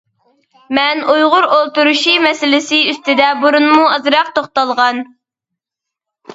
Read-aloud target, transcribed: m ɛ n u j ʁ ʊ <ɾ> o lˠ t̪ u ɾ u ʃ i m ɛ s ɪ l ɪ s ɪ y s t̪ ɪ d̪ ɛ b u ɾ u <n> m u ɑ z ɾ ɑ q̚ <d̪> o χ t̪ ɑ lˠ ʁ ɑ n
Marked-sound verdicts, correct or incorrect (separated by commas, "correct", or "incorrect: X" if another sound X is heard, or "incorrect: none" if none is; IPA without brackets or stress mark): correct, correct, incorrect: t̪